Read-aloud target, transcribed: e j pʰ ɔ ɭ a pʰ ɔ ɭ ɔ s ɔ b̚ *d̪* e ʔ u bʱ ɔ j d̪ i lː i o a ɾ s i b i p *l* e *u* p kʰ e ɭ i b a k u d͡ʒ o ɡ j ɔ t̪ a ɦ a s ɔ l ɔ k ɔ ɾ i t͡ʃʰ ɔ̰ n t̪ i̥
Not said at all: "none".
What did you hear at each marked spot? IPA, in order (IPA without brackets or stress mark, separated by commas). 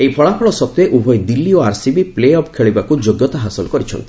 t̪, l, ɔ